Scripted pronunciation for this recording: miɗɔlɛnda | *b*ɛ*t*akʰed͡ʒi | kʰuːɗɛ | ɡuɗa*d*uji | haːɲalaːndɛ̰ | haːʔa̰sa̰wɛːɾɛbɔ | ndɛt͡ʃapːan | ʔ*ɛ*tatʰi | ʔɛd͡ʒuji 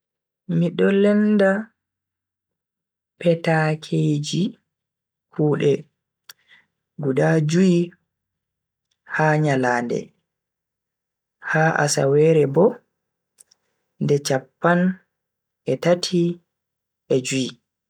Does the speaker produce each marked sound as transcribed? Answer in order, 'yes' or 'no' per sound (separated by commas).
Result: no, yes, no, yes